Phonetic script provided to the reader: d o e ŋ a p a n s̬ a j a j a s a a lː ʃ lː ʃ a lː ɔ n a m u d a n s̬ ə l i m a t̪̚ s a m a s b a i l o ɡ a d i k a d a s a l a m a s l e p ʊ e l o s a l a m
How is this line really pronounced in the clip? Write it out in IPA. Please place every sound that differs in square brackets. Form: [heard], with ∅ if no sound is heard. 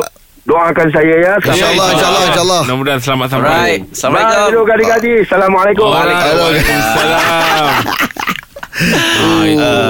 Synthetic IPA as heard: d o [a] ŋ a [k] a n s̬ a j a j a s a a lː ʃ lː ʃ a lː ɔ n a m u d a n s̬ ə l [a] m a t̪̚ s a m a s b a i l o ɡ a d i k a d [i] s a l a m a [∅] l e [k] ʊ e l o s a l a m